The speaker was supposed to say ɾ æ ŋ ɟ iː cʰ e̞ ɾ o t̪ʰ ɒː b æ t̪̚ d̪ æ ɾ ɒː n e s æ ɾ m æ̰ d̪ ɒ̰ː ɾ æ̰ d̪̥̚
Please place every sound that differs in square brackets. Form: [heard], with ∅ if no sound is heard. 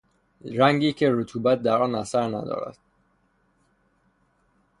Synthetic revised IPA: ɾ æ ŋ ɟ iː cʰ e̞ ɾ o t̪ʰ [uː] b æ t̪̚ d̪ æ ɾ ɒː n [æ] s æ ɾ [n] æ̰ d̪ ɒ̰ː ɾ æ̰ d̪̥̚